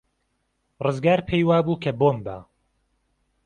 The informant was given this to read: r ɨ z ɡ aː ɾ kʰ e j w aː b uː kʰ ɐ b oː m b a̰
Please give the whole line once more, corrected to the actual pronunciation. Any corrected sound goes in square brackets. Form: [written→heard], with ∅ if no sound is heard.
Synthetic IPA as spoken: r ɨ z ɡ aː ɾ [kʰ→pʰ] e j w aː b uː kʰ ɐ b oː m b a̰